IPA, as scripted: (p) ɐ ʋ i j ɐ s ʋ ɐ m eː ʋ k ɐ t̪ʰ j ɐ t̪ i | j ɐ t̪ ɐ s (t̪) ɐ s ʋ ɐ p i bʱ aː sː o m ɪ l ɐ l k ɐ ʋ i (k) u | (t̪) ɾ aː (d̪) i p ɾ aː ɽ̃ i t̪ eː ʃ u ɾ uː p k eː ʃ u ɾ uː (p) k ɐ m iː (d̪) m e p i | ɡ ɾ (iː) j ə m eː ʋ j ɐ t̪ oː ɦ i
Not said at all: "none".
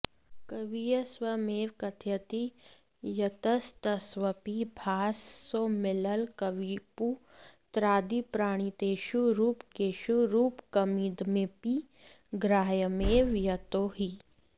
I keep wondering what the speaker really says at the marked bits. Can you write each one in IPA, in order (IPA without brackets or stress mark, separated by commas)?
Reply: k, t̪, p, t̪, d̪, p, d̪, aː